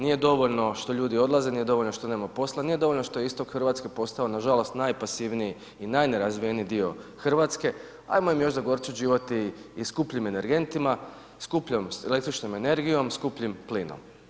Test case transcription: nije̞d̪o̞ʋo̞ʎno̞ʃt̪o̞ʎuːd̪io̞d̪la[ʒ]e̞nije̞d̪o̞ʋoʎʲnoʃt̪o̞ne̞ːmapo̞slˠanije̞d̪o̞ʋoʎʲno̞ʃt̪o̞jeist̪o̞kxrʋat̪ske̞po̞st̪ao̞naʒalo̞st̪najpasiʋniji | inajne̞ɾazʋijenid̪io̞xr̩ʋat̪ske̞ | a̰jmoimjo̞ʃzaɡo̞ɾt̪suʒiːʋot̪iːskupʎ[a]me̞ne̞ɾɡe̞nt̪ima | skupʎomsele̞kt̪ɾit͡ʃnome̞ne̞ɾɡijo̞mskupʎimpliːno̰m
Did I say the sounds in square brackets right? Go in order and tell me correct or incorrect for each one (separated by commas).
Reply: incorrect, incorrect